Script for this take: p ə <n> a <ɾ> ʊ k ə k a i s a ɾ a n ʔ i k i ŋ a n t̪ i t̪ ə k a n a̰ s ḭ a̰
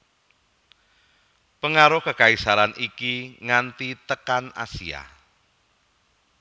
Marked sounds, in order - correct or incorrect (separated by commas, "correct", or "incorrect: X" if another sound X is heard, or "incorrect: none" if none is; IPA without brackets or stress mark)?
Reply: incorrect: ŋ, correct